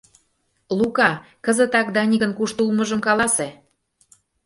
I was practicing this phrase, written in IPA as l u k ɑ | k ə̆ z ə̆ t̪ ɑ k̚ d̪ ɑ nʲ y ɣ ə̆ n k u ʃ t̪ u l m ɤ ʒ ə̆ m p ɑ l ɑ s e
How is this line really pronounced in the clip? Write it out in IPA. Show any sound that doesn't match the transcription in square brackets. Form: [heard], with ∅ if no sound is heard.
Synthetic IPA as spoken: l u k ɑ | k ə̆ z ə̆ t̪ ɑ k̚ d̪ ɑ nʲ [i] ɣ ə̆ n k u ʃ t̪ u l m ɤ ʒ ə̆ m [k] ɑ l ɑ s e